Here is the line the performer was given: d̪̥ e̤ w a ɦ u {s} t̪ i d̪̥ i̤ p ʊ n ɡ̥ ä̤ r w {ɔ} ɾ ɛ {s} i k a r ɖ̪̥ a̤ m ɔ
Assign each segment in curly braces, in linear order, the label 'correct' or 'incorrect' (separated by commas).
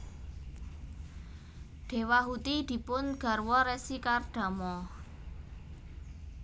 incorrect, correct, correct